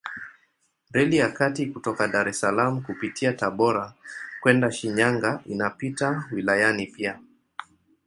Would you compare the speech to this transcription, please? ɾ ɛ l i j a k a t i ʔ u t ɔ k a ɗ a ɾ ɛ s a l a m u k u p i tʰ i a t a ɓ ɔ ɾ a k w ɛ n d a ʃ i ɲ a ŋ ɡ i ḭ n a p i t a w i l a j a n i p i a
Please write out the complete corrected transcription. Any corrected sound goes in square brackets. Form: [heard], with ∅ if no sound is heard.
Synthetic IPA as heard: ɾ ɛ l i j a k a t i [k] u t ɔ k a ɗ a ɾ ɛ s a l a m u k u p i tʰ i a t a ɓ ɔ ɾ a k w ɛ n d a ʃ i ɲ a ŋ ɡ [a] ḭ n a p i t a w i l a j a n i p i a